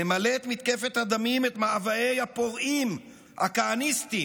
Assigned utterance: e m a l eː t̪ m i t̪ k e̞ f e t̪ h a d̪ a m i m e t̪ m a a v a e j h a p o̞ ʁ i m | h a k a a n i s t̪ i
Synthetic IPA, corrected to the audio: e m a l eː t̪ m i t̪ k e̞ f e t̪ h a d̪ a m i m e t̪ m a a v a e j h a p o̞ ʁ i m | h a k a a n i s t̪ i